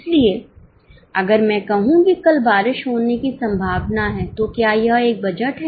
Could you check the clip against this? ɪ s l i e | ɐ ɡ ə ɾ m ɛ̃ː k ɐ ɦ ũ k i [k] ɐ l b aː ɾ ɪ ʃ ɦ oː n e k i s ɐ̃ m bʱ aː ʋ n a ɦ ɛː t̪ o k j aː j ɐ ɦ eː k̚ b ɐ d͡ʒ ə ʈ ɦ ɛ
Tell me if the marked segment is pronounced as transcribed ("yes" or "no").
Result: yes